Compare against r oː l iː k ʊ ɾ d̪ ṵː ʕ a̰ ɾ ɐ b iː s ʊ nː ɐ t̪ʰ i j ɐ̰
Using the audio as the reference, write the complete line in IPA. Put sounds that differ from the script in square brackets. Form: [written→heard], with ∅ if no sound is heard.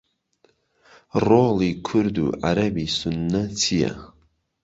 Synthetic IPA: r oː l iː [k→kʰ] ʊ ɾ d̪ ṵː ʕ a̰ ɾ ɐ b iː s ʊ nː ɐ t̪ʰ i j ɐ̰

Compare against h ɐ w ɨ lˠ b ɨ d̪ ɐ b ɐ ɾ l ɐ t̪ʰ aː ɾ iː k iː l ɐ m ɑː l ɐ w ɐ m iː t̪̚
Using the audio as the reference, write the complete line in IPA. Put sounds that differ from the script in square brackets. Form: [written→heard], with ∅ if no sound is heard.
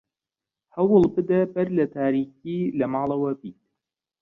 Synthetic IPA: h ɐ w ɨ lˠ b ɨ d̪ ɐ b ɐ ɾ l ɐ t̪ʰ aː ɾ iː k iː l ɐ m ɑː l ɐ w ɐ [m→b] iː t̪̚

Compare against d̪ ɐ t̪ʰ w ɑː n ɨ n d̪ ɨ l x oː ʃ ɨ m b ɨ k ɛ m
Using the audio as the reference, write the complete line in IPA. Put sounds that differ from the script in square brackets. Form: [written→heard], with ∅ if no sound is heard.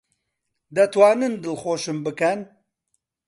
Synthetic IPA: d̪ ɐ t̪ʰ w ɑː n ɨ n d̪ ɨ l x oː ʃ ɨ m b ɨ k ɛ [m→n]

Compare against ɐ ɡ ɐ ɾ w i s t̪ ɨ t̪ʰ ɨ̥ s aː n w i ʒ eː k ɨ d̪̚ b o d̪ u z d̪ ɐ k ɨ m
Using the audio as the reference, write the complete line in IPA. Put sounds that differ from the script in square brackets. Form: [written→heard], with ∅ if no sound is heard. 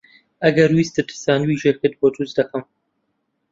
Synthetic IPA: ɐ ɡ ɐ ɾ w i s t̪ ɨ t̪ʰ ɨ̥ s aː n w i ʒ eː k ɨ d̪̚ b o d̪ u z d̪ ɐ k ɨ m

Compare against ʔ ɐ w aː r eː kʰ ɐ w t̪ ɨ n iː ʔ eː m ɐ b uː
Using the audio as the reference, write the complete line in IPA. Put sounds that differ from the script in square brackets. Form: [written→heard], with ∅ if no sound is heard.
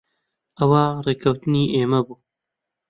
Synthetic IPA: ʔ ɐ w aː r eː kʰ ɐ w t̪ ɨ n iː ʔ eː m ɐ b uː

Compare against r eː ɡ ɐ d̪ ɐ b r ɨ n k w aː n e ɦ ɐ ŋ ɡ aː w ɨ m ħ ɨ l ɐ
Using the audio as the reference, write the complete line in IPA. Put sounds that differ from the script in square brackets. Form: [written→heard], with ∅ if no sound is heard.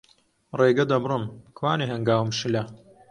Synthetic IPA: r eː ɡ ɐ d̪ ɐ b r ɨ [n→m] k w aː n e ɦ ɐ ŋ ɡ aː w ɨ m [ħ→ʃ] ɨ l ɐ

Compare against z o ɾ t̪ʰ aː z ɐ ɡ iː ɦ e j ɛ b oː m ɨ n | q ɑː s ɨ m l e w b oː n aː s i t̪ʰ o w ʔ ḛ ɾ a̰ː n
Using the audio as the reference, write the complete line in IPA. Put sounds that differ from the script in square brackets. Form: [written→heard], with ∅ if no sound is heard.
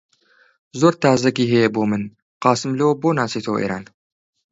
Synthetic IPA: z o ɾ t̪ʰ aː z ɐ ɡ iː ɦ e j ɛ b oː m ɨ n | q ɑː s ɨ m l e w b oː n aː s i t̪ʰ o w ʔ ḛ ɾ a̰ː n

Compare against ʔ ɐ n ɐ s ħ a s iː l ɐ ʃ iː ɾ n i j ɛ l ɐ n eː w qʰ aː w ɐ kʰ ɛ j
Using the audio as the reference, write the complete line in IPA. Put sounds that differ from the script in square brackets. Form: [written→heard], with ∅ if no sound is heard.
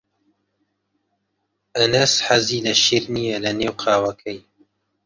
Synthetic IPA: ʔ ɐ n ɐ s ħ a [s→z] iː l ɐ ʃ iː ɾ n i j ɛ l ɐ n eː w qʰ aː w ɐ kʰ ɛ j

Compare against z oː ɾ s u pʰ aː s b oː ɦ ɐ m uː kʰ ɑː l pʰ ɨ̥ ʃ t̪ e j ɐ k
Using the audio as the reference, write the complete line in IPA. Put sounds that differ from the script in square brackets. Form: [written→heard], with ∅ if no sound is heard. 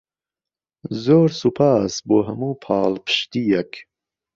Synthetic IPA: z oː ɾ s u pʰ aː s b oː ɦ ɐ m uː [kʰ→pʰ] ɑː l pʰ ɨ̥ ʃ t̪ [e→i] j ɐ k

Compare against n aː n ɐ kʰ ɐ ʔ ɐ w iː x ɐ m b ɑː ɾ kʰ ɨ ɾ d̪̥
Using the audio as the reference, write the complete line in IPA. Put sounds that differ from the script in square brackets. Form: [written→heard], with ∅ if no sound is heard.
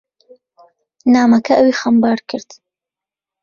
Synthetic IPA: n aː [n→m] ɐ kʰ ɐ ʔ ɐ w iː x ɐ m b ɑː ɾ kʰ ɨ ɾ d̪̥

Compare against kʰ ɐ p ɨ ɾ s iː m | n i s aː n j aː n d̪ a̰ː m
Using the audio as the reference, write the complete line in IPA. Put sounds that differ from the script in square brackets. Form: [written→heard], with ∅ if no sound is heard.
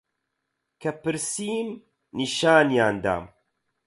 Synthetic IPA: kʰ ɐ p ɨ ɾ s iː m | n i [s→ʃ] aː n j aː n d̪ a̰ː m

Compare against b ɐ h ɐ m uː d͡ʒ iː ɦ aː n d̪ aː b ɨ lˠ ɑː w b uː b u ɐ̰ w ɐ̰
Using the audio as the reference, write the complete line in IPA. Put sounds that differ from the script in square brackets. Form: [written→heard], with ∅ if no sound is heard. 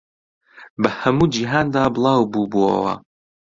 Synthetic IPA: b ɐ h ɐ m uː d͡ʒ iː ɦ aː n d̪ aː b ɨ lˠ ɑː w b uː b u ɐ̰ w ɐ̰

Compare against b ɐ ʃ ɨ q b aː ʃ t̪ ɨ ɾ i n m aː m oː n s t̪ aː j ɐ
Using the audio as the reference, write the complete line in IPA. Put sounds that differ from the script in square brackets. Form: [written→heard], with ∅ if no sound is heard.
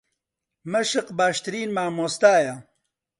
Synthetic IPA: [b→m] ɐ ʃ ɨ q b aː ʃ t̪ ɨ ɾ [i→iː] n m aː m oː [n→∅] s t̪ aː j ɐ

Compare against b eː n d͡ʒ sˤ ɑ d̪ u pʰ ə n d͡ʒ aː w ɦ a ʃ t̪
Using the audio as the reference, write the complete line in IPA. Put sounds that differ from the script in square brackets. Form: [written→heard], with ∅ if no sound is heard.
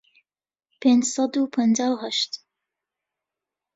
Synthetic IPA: [b→p] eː n d͡ʒ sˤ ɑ d̪ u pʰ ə n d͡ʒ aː w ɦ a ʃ t̪

